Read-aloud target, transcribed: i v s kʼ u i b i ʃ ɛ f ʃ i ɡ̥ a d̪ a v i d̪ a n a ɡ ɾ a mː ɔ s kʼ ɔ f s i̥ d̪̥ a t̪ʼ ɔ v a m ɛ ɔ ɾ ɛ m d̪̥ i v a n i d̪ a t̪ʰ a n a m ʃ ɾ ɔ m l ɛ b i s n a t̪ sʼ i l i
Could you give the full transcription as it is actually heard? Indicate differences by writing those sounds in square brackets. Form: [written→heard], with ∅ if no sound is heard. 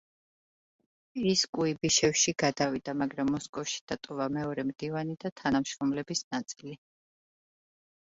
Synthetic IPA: i [v→∅] s kʼ u i b i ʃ ɛ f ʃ i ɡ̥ a d̪ a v i d̪ a [n→m] a ɡ ɾ a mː ɔ s kʼ ɔ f [s→ʃ] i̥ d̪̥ a t̪ʼ ɔ v a m ɛ ɔ ɾ ɛ m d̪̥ i v a n i d̪ a t̪ʰ a n a m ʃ ɾ ɔ m l ɛ b i s n a t̪ sʼ i l i